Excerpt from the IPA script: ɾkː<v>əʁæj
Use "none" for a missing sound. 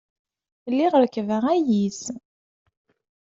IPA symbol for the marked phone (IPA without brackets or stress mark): v